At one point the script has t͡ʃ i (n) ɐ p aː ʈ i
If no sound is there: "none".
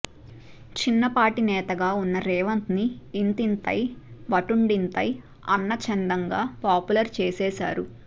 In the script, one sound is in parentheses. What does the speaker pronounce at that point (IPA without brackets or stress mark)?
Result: nː